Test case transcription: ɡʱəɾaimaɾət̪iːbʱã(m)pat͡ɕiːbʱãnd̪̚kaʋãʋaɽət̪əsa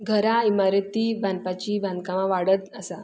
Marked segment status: incorrect: n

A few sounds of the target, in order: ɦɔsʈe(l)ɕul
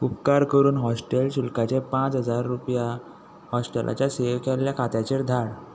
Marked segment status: correct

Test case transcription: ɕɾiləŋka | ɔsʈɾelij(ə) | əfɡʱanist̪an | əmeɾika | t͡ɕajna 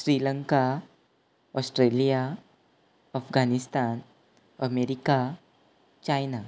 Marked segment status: incorrect: a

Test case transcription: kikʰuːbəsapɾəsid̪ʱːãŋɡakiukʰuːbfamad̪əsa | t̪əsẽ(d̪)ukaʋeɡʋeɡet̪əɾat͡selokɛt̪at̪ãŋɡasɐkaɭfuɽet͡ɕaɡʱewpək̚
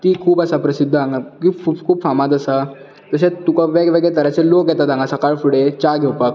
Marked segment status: incorrect: t̪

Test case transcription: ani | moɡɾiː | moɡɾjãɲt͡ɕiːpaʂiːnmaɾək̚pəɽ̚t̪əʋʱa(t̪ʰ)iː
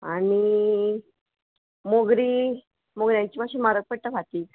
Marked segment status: incorrect: t̪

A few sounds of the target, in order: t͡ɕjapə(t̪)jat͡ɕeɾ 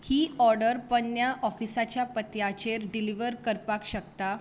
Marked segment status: correct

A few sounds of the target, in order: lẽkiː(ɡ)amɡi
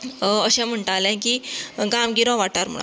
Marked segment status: correct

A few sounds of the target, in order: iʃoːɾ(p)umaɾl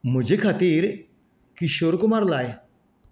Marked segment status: incorrect: k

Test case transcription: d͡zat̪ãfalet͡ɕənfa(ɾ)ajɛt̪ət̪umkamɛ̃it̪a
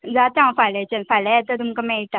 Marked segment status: incorrect: l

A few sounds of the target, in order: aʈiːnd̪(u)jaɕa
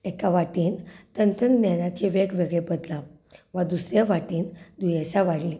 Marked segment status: correct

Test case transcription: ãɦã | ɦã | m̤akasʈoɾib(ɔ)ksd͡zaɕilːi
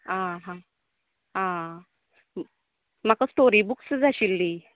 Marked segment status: incorrect: u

